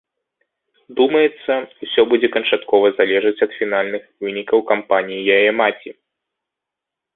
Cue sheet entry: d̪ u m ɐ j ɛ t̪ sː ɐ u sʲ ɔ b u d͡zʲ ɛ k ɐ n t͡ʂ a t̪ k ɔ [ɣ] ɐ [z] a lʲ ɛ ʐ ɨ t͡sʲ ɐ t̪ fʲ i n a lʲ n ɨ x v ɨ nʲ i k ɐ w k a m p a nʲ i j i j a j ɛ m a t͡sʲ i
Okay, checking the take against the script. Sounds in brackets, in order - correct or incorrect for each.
incorrect, correct

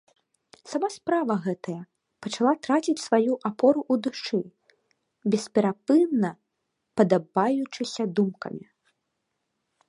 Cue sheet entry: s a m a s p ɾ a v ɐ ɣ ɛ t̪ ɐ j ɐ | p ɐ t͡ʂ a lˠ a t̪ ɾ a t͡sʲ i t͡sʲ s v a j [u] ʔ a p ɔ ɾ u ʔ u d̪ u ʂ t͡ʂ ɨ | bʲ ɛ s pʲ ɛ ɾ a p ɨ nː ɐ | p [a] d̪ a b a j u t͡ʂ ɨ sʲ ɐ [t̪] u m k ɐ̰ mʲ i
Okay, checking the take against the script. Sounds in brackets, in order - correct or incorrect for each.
correct, incorrect, incorrect

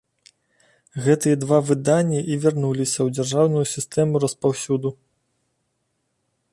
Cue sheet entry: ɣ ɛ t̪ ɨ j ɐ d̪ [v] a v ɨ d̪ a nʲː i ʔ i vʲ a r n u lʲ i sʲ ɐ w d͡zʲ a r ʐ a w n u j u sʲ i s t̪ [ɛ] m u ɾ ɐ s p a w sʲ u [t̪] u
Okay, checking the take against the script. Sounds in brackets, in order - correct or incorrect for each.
correct, correct, incorrect

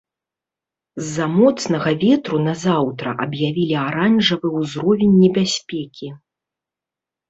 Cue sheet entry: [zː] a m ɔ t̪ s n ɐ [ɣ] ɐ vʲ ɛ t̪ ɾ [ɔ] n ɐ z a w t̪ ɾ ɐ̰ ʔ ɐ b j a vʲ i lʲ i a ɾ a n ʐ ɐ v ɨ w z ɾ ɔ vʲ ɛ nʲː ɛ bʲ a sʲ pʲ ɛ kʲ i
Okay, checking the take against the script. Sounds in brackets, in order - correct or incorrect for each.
correct, correct, incorrect

